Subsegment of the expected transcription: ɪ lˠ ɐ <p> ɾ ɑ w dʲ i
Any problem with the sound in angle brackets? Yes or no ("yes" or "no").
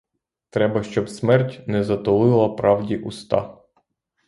no